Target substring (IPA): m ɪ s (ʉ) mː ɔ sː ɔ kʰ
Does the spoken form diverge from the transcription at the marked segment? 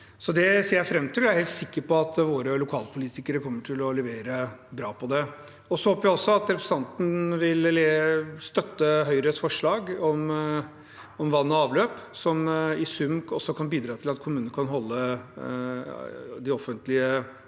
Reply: no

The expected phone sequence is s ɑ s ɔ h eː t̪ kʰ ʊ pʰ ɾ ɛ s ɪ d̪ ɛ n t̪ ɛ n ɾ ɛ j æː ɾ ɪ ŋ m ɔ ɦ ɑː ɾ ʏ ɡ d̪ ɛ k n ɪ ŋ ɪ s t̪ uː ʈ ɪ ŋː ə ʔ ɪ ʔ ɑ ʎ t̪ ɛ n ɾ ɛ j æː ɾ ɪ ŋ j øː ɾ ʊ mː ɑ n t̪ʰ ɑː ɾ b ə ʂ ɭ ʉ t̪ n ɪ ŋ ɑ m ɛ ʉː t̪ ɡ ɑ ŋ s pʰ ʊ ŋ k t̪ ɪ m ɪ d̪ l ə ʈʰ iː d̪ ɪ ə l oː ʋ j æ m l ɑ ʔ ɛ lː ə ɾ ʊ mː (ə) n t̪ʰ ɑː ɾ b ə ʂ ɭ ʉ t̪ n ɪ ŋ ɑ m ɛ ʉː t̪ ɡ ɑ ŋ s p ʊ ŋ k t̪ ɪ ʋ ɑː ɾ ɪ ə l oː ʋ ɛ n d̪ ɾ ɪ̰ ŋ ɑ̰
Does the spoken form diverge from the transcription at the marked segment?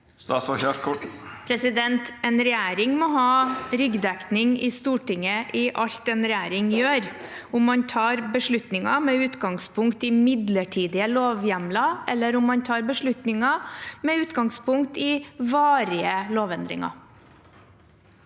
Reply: yes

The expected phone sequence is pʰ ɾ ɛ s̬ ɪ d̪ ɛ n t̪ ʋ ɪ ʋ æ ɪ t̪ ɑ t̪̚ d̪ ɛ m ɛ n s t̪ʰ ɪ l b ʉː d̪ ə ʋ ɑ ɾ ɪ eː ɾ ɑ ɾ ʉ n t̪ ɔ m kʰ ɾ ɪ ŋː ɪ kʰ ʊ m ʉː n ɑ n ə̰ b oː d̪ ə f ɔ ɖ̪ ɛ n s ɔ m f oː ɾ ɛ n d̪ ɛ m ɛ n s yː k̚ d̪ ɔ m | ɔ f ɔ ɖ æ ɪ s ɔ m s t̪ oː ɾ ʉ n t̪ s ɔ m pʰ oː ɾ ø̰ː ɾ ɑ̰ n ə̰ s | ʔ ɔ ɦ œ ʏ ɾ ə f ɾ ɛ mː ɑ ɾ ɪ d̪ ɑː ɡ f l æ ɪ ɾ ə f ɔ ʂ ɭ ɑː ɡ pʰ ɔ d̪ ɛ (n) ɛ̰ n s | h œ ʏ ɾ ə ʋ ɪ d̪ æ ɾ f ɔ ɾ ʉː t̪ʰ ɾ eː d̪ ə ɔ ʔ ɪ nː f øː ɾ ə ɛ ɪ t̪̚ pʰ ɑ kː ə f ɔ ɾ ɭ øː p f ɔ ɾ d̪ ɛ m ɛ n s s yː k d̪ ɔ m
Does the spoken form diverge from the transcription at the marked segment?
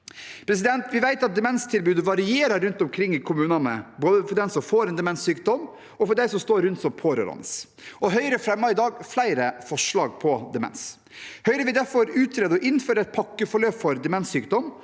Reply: yes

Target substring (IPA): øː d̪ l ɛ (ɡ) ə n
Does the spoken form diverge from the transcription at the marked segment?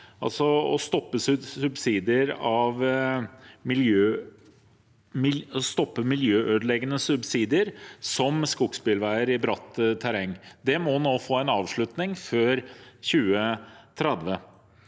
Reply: no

